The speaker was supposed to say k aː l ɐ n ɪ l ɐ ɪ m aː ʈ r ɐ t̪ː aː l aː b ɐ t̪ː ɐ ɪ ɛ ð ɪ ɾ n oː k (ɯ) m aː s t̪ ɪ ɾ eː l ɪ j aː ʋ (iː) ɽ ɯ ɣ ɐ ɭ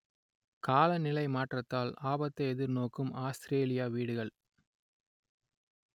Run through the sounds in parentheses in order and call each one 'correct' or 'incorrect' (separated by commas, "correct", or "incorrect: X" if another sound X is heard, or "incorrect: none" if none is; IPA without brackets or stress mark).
correct, correct